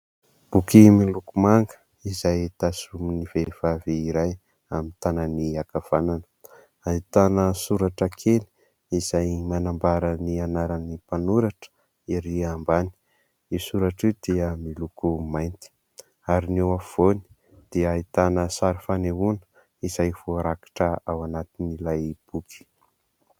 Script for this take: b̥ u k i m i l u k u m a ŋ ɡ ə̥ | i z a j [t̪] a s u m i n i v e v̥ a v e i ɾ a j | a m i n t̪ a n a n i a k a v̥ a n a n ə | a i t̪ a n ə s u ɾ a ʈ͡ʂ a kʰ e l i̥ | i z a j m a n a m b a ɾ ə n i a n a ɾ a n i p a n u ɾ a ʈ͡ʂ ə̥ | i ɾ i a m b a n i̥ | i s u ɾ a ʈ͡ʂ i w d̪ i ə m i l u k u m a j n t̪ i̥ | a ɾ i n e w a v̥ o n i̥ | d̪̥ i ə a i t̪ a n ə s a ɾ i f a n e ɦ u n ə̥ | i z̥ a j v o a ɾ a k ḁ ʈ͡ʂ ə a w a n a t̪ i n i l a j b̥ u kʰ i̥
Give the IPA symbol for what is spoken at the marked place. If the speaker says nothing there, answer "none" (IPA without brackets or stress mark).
t̪